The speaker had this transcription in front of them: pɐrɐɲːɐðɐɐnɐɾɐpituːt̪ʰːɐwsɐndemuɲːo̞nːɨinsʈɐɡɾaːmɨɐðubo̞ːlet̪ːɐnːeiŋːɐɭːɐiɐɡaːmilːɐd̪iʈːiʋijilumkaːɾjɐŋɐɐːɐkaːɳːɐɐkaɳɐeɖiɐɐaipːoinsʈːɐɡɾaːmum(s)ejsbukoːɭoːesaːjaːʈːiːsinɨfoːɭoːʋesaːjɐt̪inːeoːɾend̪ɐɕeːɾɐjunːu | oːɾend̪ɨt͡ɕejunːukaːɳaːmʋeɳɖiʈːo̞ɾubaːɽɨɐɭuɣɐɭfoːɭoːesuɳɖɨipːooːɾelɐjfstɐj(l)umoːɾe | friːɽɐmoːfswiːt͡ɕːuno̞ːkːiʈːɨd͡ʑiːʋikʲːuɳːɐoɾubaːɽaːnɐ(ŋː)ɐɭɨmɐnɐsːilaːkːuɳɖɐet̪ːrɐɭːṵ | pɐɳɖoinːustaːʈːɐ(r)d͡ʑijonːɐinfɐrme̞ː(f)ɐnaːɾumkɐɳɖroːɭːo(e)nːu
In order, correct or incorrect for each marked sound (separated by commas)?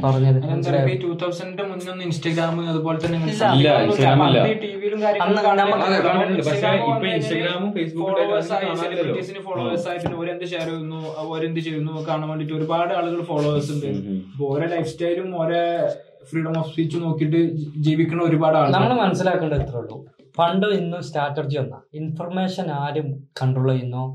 incorrect, correct, incorrect, correct, incorrect, incorrect